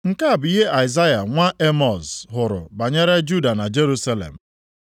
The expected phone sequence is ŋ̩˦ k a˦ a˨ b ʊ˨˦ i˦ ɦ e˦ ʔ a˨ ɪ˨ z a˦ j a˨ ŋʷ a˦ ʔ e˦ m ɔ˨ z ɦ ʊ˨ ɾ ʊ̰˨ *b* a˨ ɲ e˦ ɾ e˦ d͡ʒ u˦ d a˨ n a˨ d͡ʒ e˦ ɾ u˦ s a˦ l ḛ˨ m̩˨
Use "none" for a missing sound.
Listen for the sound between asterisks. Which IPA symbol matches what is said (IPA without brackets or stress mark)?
b